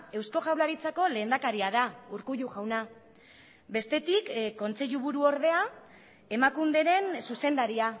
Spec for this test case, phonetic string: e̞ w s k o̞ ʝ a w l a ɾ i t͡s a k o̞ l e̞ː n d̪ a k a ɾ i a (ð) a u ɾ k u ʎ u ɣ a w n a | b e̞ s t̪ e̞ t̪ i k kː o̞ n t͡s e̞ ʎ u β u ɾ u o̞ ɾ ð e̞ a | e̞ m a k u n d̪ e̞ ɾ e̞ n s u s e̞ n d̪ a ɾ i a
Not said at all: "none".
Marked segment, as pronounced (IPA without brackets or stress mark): ð